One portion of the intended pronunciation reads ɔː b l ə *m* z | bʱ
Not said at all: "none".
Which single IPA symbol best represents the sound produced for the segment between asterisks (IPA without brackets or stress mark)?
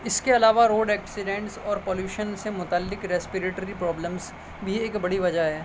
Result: m